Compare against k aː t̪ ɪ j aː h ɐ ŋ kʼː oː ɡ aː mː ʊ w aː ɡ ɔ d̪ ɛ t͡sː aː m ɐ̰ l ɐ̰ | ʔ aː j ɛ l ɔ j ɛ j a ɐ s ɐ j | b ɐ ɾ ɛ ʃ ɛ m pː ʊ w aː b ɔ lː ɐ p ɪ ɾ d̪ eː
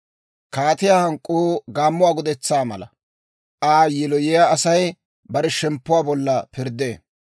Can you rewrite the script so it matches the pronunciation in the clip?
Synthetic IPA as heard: k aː t̪ ɪ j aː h ɐ ŋ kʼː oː ɡ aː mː ʊ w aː ɡ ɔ d̪ ɛ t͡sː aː m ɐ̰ l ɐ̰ | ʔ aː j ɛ l ɔ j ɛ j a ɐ s ɐ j | b ɐ ɾ ɛ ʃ ɛ m pː ʊ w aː b ɔ lː ɐ p ɪ ɾ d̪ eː